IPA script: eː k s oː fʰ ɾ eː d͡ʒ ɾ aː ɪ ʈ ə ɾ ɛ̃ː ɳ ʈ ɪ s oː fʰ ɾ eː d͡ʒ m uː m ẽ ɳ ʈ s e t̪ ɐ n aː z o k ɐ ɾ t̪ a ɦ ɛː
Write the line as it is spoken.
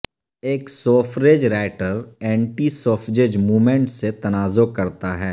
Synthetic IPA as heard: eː k s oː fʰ ɾ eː d͡ʒ ɾ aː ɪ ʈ ə ɾ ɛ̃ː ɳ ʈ i s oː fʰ ɾ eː d͡ʒ m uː m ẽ ɳ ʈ s e t̪ ɐ n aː z o k ɐ ɾ t̪ a ɦ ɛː

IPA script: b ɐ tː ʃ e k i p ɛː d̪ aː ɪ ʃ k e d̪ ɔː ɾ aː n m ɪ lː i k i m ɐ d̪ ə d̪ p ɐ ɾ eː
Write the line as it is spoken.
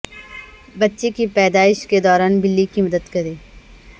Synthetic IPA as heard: b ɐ tː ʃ e k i p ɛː d̪ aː ɪ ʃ k e d̪ ɔː ɾ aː n b ɪ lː i k i m ɐ d̪ ə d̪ k ɐ ɾ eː

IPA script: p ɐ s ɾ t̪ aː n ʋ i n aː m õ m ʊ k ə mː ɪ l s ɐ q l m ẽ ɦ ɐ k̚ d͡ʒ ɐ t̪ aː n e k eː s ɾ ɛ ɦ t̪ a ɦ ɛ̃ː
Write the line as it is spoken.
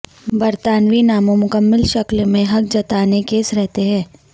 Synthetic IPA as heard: b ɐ ɾ t̪ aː n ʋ i n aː m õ m ʊ k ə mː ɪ l ʃ ɐ k l m ẽ ɦ ɐ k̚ d͡ʒ ɐ t̪ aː n e k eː s ɾ ɛ ɦ t̪ e ɦ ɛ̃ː

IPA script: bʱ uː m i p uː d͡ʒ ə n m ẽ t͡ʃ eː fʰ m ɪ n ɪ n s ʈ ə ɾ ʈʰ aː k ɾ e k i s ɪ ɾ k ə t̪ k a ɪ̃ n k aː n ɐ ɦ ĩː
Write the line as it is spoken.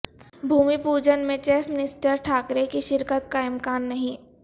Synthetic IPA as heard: bʱ uː m i p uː d͡ʒ ə n m ẽ t͡ʃ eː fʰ m ɪ n ɪ s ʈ ə ɾ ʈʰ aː k ɾ e k i ʃ ɪ ɾ k ə t̪ k a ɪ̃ m k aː nː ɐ ɦ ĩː

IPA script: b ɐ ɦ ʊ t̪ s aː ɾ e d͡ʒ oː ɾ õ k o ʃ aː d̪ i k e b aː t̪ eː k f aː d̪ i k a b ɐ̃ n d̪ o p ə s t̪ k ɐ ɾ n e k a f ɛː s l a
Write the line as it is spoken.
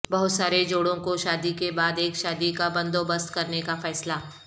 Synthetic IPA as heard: b ɐ ɦ ʊ t̪ s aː ɾ e d͡ʒ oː ɽ õ k o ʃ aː d̪ i k e b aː d̪ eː k ʃ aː d̪ i k a b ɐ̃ n d̪ o b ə s t̪ k ɐ ɾ n e k a f ɛː s l a

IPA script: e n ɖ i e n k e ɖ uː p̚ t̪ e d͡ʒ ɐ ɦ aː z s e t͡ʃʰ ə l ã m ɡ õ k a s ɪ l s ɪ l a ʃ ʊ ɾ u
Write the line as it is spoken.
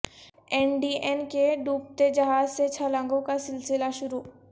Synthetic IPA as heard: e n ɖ i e n k e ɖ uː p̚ t̪ e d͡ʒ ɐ ɦ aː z s e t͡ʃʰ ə l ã ŋ ɡ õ k a s ɪ l s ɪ l a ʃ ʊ ɾ u

